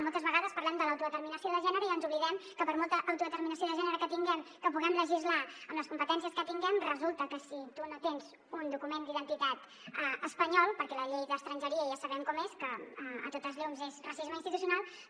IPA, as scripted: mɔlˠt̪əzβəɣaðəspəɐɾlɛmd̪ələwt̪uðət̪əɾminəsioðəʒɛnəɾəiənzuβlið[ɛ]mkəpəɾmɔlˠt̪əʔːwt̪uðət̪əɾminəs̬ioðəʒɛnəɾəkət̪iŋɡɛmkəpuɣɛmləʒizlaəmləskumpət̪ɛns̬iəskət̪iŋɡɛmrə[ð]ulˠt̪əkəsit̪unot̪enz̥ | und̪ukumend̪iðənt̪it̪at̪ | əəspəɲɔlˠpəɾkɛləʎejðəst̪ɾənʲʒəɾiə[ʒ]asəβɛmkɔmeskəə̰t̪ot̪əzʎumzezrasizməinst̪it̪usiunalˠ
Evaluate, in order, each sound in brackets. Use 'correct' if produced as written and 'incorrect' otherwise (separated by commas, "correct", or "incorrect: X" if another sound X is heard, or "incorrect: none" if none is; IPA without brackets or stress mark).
correct, incorrect: z, correct